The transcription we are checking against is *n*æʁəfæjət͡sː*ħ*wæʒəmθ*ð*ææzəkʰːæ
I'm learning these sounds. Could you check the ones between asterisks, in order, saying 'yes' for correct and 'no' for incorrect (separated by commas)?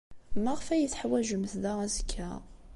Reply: no, yes, yes